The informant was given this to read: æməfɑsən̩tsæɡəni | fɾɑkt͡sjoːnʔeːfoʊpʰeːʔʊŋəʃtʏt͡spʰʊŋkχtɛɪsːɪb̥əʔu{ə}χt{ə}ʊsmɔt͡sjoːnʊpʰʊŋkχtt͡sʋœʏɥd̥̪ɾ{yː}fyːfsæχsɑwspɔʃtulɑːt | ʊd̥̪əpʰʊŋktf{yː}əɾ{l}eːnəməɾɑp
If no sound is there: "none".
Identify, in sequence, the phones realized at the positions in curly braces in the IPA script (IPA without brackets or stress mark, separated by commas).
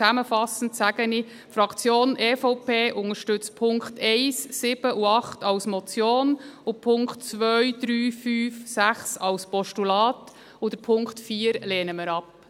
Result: ɑ, ɑ, yː, iː, l